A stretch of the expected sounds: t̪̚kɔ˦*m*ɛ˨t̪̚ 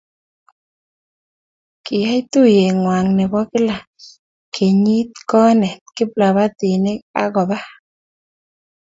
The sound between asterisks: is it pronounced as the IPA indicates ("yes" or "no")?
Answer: no